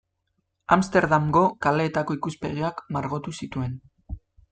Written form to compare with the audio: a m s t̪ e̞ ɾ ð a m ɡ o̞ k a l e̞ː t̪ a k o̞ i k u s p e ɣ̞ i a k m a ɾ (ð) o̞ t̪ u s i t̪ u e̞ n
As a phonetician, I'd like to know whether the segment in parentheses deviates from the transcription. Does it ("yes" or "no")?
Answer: yes